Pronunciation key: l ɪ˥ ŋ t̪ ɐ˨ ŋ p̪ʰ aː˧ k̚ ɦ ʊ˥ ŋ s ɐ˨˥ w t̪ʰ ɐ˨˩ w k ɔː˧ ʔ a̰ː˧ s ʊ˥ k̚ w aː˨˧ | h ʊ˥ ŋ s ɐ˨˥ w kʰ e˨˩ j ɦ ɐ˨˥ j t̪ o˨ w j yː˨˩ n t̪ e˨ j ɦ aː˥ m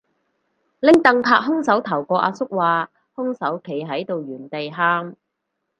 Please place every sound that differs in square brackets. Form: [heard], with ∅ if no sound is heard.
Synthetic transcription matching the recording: l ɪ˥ ŋ t̪ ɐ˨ ŋ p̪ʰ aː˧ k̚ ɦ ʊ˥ ŋ s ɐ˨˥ w t̪ʰ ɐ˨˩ w k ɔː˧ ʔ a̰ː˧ s ʊ˥ k̚ w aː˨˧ | h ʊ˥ ŋ s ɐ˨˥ w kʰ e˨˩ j ɦ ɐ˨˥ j t̪ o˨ w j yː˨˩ n t̪ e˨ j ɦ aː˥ m